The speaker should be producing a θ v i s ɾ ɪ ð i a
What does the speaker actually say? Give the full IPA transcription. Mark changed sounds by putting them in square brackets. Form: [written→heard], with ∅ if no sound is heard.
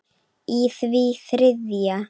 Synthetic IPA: [a→i] θ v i [s→θ] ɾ ɪ ð [i→j] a